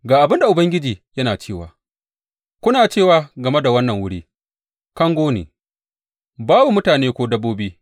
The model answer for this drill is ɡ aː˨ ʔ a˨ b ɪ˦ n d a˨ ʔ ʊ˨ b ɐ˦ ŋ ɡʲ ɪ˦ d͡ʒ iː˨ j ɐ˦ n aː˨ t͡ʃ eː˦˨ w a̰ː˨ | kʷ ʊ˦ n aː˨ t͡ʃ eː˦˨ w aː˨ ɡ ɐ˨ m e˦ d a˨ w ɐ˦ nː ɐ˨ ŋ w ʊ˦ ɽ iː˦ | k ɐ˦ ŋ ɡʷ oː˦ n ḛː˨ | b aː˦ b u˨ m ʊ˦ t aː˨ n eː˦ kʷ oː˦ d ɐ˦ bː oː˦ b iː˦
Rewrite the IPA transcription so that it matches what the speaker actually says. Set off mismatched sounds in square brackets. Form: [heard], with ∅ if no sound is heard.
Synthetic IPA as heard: ɡ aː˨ ʔ a˨ b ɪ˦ n d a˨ ʔ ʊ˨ b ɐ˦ ŋ ɡʲ ɪ˦ d͡ʒ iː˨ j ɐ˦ n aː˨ t͡ʃ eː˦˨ w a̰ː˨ | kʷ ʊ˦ n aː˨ t͡ʃ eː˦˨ w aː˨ ɡ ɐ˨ m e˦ d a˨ w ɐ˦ nː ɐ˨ ŋ w ʊ˦ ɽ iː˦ | k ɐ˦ ŋ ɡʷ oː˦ n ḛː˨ | b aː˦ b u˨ m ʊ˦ t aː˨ n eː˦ kʷ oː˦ d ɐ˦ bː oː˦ b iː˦

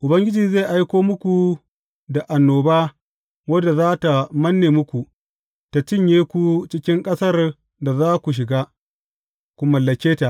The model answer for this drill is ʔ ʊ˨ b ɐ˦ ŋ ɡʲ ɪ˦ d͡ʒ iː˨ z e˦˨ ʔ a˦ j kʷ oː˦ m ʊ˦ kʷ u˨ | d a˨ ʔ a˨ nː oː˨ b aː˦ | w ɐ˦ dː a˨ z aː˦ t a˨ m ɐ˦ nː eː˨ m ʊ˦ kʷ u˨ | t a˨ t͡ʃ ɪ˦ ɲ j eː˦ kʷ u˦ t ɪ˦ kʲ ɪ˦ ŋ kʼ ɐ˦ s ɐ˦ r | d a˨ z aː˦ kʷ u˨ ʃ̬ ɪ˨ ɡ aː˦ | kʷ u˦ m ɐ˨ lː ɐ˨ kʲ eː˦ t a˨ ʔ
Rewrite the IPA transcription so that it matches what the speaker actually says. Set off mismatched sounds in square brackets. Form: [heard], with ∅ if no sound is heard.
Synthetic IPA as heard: ʔ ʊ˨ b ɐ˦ ŋ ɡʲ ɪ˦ d͡ʒ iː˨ z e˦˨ ʔ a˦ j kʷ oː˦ m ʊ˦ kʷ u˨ | d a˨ ʔ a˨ nː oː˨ b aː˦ | w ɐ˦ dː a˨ z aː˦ t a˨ m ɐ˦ nː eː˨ m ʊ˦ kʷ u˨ | t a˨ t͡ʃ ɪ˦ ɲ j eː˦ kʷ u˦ [t͡ʃ] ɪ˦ kʲ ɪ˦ ŋ kʼ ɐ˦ s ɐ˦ r | d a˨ z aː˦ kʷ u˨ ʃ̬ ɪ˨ ɡ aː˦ | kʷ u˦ m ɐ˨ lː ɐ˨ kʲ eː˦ t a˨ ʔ

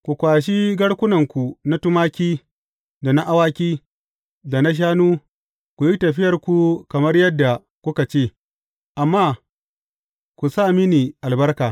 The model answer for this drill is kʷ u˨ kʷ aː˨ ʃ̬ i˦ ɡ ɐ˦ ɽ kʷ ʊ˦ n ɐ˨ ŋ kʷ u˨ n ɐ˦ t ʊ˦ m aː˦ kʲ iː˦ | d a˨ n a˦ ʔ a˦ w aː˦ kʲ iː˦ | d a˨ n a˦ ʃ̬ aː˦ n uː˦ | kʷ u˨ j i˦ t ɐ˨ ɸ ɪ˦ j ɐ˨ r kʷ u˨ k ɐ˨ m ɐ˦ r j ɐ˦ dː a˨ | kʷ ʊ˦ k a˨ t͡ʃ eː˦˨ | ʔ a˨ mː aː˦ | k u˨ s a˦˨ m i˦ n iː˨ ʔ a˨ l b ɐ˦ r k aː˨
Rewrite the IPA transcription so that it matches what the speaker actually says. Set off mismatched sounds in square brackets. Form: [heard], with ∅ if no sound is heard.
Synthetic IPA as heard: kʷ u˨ kʷ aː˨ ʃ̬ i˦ ɡ ɐ˦ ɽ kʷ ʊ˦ n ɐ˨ ŋ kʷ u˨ n [a˦] t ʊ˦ m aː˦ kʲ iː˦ | d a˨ n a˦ ʔ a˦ w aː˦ kʲ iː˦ | d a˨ n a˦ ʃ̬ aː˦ n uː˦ | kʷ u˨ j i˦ t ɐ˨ ɸ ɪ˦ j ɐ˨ r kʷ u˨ k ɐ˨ m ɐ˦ r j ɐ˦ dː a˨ | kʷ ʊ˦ k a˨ t͡ʃ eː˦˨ | ʔ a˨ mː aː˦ | k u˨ s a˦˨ m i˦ n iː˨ ʔ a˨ l b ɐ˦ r k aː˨

